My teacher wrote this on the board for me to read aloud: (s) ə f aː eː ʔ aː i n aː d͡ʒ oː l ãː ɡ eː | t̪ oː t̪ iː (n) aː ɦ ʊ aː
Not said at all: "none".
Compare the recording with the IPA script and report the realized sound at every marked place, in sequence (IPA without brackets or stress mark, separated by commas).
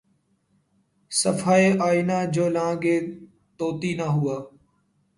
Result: s, n